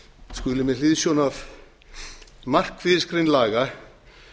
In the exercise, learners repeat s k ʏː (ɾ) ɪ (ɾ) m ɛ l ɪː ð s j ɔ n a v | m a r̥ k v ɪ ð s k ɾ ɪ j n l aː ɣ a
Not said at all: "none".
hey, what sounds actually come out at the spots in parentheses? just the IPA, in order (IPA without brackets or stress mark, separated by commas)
l, none